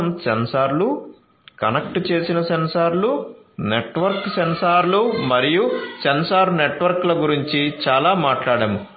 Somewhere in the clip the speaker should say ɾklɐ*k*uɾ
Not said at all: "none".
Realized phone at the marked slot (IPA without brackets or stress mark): ɡ